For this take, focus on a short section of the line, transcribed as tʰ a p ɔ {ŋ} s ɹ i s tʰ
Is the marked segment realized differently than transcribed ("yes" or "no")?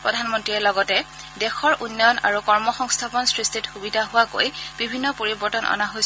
yes